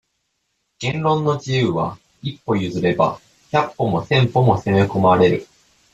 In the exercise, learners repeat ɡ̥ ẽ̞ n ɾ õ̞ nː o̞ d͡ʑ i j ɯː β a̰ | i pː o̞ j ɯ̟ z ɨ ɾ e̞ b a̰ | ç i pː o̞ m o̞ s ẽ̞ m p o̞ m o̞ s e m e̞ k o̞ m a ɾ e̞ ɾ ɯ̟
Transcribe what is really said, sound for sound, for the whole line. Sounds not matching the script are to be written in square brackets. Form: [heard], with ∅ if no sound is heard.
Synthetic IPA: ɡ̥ ẽ̞ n ɾ õ̞ nː o̞ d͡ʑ i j ɯː β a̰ | i pː o̞ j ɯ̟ z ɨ ɾ e̞ b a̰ | ç [a] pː o̞ m o̞ s ẽ̞ m p o̞ m o̞ s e m e̞ k o̞ m a ɾ e̞ ɾ ɯ̟